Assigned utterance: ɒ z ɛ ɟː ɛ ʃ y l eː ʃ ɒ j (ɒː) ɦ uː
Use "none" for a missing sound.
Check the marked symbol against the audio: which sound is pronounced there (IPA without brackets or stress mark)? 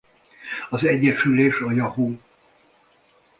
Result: ɒ